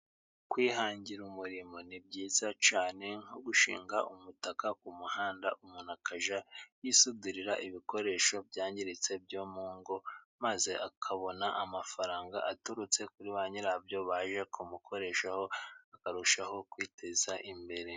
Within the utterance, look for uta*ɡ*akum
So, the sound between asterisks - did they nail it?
no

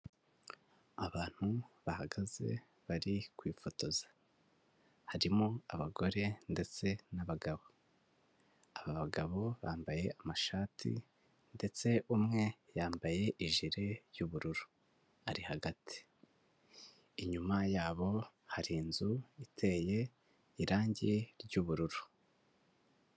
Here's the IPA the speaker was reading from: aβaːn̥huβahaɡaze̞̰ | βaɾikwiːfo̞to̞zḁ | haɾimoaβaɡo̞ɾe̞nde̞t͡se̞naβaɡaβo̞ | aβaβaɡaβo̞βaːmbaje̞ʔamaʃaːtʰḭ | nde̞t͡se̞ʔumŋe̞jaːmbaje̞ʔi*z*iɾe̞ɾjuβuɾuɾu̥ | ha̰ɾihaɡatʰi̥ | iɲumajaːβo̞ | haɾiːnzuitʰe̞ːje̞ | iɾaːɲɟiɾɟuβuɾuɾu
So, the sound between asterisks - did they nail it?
no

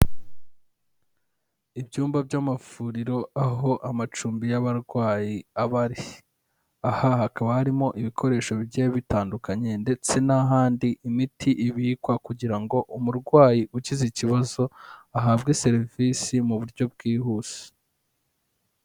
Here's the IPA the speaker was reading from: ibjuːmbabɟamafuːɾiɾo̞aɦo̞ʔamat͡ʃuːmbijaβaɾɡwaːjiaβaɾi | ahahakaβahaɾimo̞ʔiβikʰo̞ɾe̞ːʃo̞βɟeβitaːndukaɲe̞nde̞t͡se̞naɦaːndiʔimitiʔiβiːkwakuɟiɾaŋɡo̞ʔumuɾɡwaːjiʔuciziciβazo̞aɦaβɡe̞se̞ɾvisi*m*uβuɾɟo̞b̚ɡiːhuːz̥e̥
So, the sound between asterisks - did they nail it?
yes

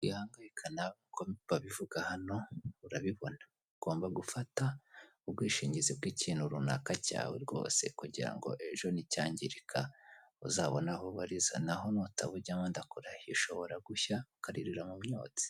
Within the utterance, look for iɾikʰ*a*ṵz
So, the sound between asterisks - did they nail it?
yes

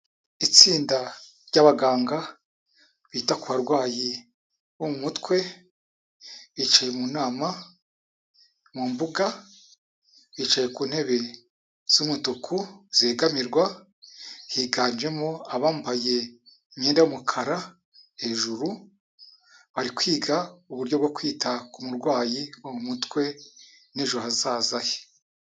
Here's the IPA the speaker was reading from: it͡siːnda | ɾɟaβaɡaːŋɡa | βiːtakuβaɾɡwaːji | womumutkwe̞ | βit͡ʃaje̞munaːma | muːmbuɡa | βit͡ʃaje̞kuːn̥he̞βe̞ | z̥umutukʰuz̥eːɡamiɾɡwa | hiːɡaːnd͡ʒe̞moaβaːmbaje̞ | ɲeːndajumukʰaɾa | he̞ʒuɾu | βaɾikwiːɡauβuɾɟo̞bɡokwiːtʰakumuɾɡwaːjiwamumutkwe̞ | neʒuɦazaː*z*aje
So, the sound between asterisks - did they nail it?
yes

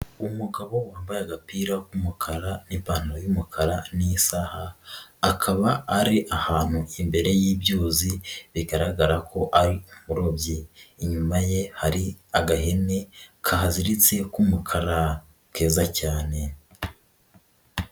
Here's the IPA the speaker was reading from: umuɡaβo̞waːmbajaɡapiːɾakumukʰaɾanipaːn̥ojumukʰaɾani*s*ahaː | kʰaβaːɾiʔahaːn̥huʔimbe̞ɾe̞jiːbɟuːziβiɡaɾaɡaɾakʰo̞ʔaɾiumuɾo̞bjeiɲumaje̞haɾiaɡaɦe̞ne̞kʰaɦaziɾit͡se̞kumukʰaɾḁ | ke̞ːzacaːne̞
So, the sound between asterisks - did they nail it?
yes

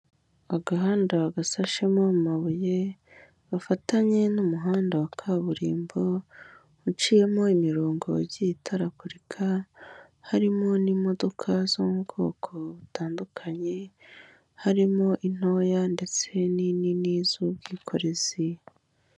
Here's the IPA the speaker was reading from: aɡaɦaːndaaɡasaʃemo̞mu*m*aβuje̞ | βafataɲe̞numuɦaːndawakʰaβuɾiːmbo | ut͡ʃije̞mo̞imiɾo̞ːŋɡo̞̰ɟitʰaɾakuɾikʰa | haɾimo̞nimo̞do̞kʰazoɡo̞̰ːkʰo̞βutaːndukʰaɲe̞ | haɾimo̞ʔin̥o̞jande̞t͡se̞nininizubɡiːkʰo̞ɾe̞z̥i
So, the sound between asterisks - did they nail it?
yes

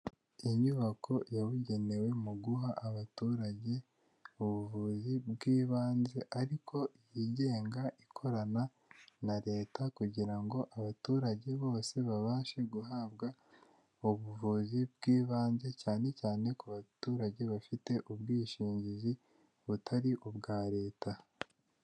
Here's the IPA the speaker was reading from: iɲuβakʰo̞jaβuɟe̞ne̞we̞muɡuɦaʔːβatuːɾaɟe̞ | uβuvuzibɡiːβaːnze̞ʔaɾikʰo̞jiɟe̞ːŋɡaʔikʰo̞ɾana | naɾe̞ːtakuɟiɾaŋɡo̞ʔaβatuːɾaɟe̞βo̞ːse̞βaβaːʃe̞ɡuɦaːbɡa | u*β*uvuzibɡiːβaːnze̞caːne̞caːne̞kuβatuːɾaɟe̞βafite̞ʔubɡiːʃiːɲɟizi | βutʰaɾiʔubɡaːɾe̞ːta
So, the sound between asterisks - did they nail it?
yes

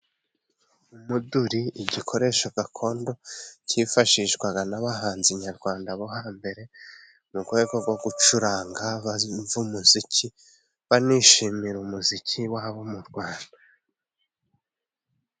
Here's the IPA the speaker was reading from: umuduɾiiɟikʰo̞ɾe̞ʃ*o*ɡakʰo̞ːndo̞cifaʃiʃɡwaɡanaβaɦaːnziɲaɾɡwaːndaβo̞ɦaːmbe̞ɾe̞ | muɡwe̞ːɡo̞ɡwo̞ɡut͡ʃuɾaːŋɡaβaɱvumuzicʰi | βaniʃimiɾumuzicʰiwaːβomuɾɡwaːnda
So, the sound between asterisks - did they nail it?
yes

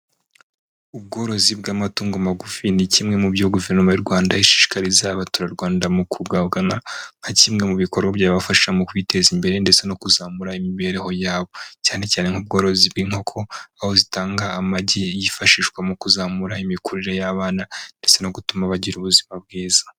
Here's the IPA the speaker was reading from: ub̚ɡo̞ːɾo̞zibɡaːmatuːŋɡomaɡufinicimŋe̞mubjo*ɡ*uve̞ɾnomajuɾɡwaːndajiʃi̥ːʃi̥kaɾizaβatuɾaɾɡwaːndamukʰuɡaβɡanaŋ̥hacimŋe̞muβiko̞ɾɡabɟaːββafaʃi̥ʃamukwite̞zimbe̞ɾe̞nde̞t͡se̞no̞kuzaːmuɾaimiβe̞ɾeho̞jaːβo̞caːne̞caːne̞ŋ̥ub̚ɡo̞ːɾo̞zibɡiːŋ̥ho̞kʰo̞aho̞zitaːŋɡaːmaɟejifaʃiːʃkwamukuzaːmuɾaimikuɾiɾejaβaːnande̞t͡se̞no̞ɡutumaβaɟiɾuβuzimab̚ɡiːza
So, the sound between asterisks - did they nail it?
yes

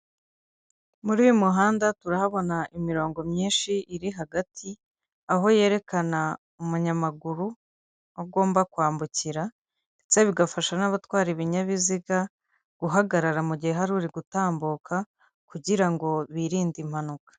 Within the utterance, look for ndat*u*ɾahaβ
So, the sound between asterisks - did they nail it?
yes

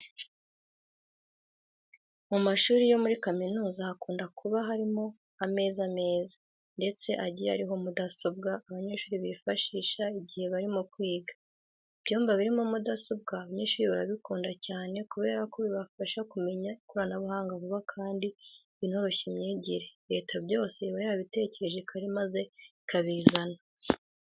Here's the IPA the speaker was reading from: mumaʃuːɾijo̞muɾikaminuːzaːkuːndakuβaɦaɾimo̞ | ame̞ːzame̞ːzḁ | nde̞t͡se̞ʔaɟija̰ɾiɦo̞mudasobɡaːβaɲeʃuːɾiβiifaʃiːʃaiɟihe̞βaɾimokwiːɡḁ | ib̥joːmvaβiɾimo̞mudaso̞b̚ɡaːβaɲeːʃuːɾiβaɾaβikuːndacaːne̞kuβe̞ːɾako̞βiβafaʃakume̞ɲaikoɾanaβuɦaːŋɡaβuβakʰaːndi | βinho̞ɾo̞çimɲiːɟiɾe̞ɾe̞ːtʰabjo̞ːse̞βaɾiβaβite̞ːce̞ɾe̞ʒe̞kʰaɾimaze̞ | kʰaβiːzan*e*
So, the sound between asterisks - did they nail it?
no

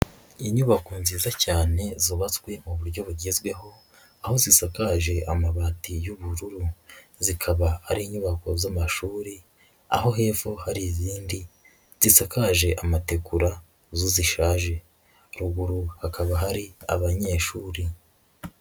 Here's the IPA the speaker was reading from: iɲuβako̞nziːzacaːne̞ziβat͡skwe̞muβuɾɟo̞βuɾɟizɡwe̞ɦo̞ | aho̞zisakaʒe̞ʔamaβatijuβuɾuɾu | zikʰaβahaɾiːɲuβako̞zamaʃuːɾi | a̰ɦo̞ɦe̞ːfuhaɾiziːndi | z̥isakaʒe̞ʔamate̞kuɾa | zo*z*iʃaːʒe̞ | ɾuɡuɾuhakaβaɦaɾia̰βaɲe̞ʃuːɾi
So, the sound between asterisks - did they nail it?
yes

